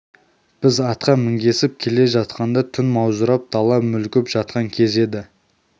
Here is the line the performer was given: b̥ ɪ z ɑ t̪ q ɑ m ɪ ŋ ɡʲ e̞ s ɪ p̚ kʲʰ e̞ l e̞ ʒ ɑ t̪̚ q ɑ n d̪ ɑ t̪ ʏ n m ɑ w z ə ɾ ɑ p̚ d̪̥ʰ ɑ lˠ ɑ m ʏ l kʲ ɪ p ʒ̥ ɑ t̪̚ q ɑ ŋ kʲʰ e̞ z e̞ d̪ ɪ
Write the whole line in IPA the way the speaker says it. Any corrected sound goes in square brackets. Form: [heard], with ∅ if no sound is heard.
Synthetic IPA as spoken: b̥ ɪ z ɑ t̪ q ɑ m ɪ ŋ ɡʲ e̞ s ɪ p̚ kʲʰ e̞ l e̞ ʒ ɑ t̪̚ q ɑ n d̪ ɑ [t̪ʰ] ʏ n m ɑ w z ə ɾ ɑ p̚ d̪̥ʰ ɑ lˠ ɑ m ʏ l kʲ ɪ p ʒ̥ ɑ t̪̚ q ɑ ŋ kʲʰ e̞ z e̞ d̪ ɪ